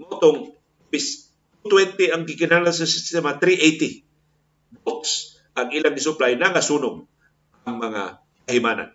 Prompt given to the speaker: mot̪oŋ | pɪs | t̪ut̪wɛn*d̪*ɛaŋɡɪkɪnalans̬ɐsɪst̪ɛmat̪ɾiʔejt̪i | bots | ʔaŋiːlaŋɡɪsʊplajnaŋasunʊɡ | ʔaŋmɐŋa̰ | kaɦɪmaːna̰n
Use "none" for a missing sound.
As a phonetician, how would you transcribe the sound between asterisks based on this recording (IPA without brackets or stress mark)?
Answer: t̪